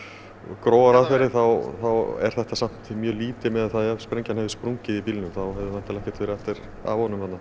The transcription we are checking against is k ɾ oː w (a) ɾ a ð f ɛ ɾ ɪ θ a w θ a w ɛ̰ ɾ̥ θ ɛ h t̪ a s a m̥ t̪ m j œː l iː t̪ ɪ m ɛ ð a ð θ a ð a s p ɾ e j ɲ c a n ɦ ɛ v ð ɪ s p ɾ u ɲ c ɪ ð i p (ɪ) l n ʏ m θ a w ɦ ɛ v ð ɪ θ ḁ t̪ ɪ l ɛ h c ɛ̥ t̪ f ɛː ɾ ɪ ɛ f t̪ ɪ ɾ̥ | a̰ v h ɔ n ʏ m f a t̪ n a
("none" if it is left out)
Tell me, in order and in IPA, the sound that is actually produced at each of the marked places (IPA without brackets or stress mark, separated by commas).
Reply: a, i